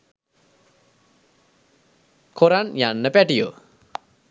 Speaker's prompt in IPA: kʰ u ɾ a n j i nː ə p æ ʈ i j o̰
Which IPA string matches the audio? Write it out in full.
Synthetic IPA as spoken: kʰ o ɾ a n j a nː ə p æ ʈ i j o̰